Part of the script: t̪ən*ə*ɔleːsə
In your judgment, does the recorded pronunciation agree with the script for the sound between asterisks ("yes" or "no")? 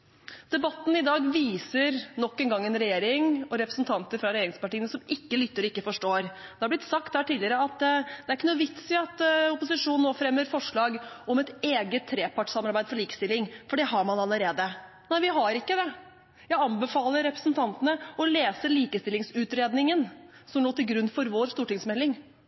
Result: yes